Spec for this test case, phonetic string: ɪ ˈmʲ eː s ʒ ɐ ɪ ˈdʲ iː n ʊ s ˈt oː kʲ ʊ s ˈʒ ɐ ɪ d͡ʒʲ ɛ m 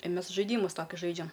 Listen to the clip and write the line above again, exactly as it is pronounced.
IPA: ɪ ˈmʲ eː s ʒ ɐ ɪ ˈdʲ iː m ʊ s ˈt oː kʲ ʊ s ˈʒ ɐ ɪ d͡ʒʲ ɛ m